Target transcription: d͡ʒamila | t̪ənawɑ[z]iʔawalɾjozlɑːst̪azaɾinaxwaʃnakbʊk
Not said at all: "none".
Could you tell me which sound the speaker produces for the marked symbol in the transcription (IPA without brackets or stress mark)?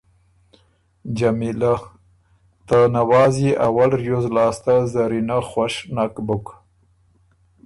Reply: z